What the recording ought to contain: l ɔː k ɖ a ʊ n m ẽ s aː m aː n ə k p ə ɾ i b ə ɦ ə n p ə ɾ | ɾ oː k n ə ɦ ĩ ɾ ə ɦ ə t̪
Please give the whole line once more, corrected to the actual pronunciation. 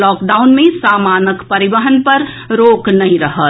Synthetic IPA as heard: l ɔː k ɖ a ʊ n m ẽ s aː m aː n ə k p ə ɾ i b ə ɦ ə n p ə ɾ | ɾ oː k n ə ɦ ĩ ɾ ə ɦ ə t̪